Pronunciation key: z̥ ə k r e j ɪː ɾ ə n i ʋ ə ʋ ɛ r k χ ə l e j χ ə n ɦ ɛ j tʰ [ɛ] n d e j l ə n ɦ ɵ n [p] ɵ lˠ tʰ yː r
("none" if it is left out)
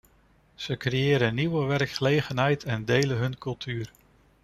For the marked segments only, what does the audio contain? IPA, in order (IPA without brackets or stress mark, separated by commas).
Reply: ɛ, k